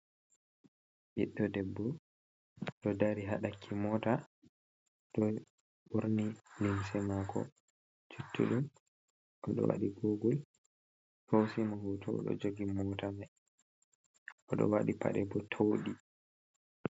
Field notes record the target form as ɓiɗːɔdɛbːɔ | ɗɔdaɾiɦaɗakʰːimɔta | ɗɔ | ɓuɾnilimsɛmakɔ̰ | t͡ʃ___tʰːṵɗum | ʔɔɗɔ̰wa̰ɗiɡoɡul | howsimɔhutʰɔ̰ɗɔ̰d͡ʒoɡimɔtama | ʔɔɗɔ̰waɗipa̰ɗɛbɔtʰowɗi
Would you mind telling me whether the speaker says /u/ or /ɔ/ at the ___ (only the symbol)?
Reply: u